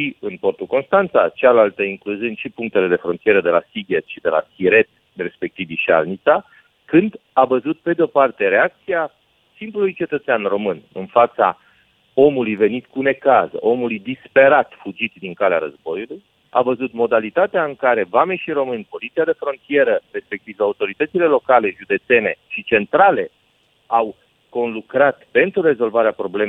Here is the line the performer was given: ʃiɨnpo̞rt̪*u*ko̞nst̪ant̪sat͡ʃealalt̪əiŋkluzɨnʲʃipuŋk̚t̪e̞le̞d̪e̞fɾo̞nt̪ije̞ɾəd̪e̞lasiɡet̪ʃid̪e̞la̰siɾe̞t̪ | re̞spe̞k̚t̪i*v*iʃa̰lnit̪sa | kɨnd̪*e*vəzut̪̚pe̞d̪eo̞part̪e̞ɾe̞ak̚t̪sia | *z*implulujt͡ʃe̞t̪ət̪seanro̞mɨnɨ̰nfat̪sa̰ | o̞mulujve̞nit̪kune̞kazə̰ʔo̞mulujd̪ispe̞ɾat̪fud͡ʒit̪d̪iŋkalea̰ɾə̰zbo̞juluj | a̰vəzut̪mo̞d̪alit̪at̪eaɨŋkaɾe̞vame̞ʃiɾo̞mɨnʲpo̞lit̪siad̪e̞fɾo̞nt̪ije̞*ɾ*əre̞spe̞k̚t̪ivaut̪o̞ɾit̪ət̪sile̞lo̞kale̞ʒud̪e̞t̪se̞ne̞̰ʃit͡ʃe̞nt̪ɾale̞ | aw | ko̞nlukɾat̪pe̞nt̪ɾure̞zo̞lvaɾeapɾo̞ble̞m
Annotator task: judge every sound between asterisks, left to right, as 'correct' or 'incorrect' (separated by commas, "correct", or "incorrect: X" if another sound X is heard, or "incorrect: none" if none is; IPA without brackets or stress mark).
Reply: correct, correct, incorrect: a, incorrect: s, correct